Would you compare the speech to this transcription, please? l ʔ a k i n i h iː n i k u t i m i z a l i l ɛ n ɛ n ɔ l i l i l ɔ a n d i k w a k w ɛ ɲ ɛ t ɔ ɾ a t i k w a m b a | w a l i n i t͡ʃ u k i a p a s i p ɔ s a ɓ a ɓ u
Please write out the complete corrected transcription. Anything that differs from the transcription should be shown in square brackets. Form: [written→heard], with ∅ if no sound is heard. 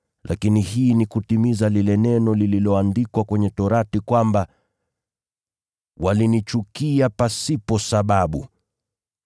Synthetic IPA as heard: l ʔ a k i n i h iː n i k u t i m i z a l i l ɛ n ɛ n ɔ l i l i l ɔ a n d i k w a k w ɛ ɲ ɛ t ɔ ɾ a t i k w a m b a | w a l i n i t͡ʃ u k i a p a s i p ɔ s a ɓ a ɓ u